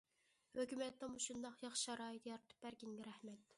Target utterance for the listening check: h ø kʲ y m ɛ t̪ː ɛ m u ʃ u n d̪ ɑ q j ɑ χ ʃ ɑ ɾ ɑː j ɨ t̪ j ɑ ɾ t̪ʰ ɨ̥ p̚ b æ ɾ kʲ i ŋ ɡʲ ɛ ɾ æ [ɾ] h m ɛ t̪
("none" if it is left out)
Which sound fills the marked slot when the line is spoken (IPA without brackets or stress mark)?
none